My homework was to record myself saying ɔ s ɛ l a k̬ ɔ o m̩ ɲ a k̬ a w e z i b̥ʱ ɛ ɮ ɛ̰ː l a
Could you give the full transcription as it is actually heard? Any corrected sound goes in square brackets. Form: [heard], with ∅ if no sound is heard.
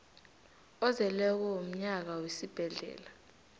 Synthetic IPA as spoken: ɔ [z] ɛ l [ɛ] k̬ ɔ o m̩ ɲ a k̬ a w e [s] i b̥ʱ ɛ ɮ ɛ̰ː l a